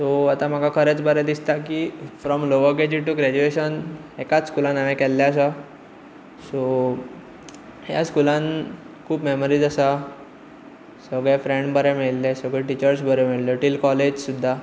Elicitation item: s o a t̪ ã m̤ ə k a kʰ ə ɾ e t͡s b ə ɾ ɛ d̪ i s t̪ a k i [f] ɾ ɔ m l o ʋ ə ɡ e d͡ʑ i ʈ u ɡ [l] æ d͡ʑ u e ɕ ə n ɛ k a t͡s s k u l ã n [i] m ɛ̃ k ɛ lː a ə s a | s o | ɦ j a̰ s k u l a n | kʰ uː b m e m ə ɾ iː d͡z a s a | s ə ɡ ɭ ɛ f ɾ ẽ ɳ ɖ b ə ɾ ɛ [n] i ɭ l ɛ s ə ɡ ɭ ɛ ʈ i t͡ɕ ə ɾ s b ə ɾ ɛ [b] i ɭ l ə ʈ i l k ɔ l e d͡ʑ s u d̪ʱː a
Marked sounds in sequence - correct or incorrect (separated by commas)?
correct, incorrect, incorrect, incorrect, incorrect